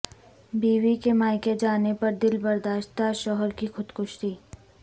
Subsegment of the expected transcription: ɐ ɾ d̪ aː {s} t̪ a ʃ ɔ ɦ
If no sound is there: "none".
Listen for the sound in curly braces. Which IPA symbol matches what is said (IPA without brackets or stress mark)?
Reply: ʃ